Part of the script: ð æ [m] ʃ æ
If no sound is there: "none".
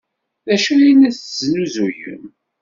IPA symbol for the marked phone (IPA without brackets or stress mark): none